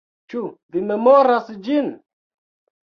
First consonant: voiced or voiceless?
voiceless